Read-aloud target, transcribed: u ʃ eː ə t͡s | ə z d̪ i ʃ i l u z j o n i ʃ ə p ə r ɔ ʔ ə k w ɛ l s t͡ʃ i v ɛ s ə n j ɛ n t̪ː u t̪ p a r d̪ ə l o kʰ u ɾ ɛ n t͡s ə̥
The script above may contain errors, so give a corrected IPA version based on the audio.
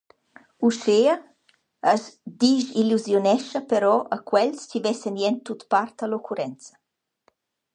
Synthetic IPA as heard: u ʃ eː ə | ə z d̪ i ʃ i l u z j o n ɛ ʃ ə p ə ɾ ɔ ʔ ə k w ɛ l s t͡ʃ i v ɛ s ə n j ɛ n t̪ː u t̪ p a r t̪ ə l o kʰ u ɾ ɛ n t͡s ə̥